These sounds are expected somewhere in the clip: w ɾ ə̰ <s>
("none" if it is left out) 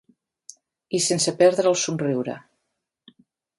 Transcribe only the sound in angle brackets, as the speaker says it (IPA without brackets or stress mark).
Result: none